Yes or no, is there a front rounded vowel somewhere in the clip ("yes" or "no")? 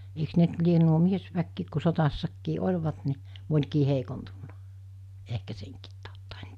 no